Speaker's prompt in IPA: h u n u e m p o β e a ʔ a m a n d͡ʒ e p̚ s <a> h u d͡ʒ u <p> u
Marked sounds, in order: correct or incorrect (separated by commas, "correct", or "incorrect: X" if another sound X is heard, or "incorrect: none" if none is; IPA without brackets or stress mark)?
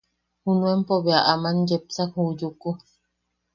correct, incorrect: k